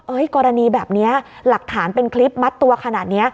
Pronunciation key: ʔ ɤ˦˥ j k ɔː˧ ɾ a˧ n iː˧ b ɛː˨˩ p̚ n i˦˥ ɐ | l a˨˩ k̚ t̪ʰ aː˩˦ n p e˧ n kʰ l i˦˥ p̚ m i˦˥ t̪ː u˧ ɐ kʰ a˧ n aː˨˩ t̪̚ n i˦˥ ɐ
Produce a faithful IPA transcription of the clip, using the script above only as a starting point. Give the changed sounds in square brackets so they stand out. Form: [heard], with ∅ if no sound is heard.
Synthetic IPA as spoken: ʔ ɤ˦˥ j k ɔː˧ ɾ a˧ n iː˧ b ɛː˨˩ p̚ n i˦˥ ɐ | l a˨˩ k̚ t̪ʰ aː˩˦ n p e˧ n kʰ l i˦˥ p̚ m [a˦˥] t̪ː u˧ ɐ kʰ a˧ n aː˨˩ t̪̚ n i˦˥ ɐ